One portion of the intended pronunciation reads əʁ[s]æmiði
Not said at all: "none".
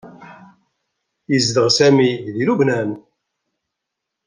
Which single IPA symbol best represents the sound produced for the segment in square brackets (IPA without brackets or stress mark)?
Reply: s